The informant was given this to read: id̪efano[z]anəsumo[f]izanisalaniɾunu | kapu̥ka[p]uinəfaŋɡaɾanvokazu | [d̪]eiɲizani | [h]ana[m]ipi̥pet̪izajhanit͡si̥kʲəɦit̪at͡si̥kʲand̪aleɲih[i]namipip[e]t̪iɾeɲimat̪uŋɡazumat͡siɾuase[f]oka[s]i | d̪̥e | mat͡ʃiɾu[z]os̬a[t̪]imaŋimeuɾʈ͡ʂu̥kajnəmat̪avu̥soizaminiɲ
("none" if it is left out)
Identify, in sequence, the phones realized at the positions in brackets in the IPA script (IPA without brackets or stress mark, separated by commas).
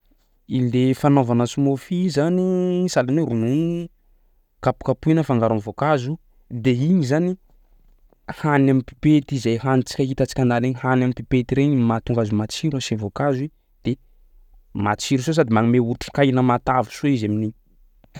v, f, p, d̪, h, m, a, e, v, z, s, d̪